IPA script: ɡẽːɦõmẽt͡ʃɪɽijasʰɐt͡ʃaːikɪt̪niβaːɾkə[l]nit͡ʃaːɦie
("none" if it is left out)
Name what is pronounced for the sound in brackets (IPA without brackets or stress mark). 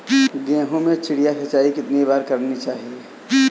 ɾ